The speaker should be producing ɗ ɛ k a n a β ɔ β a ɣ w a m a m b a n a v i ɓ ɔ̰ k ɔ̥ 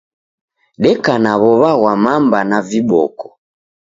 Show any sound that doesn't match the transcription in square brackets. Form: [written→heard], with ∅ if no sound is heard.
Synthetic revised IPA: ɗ ɛ k a n a β ɔ β a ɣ w a m a m b a n a v i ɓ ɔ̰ k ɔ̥